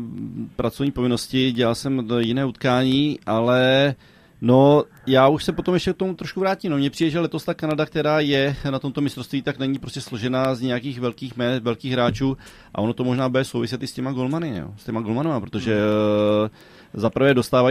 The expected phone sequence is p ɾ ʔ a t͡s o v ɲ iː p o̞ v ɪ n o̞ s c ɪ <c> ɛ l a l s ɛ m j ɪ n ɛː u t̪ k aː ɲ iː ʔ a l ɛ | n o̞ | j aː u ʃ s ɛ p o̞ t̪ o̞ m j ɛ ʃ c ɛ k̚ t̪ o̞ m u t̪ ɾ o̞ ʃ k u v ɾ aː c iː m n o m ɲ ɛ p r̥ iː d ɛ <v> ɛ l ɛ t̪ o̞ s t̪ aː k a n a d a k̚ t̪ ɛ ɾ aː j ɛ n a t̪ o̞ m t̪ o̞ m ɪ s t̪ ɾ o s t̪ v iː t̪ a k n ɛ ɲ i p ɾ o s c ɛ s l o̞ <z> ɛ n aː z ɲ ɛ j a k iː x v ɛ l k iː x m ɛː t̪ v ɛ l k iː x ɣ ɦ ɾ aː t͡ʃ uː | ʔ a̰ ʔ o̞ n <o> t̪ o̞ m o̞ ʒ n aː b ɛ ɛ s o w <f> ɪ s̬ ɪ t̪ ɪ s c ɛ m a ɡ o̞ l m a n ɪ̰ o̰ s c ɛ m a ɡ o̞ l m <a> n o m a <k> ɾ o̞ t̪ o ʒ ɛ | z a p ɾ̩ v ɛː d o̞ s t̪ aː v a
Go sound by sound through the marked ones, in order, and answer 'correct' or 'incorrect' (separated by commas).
incorrect, incorrect, incorrect, correct, incorrect, correct, incorrect